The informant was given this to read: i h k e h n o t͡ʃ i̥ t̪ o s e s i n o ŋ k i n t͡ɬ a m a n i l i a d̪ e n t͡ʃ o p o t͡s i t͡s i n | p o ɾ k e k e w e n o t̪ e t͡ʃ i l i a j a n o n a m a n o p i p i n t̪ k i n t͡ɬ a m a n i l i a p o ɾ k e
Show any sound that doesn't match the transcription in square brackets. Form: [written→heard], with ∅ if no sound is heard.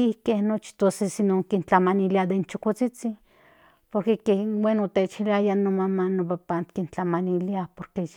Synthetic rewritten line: i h k e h n o t͡ʃ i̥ t̪ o s e s i n o ŋ k i n t͡ɬ a m a n i l i a d̪ e n t͡ʃ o [p→k] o t͡s i t͡s i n | p o ɾ k e k e w e n o t̪ e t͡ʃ i l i a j a n o [n→m] a m a n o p [i→a] p [i→a] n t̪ k i n t͡ɬ a m a n i l i a p o ɾ k e